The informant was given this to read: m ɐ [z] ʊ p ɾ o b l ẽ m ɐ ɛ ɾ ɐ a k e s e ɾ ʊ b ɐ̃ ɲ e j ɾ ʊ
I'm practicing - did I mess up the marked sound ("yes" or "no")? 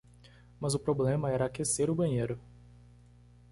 no